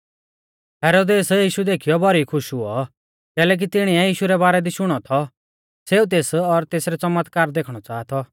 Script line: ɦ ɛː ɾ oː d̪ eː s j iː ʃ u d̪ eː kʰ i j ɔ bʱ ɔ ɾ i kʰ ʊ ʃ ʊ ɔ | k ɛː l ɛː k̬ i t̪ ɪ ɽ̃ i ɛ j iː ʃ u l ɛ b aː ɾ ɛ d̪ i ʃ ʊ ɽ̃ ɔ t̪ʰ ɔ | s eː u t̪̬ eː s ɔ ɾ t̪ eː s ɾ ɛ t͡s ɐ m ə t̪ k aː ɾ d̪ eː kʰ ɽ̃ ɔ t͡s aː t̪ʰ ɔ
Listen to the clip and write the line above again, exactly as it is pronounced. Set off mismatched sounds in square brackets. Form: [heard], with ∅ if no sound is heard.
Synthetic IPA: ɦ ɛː ɾ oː d̪ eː s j iː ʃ u d̪ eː kʰ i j ɔ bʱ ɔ ɾ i kʰ ʊ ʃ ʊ ɔ | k ɛː l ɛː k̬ i t̪ ɪ ɽ̃ i ɛ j iː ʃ u [ɾ] ɛ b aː ɾ ɛ d̪ i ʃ ʊ ɽ̃ ɔ t̪ʰ ɔ | s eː u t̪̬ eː s ɔ ɾ t̪ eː s ɾ ɛ t͡s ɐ m ə t̪ k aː ɾ d̪ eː kʰ ɽ̃ ɔ t͡s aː t̪ʰ ɔ